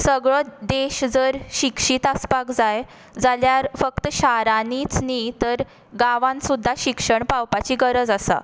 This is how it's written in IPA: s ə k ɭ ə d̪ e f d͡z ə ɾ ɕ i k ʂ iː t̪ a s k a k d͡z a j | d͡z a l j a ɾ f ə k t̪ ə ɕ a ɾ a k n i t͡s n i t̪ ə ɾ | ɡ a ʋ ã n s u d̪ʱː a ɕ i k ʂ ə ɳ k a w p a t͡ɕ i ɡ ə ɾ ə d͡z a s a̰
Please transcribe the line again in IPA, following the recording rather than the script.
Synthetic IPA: s ə ɡ ɭ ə d̪ e ɕ d͡z ə ɾ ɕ i k ʂ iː t̪ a s p a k d͡z a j | d͡z a l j a ɾ f ə k t̪ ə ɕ a ɾ a n i t͡s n i t̪ ə ɾ | ɡ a ʋ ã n s u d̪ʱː a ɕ i k ʂ ə ɳ p a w p a t͡ɕ i ɡ ə ɾ ə d͡z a s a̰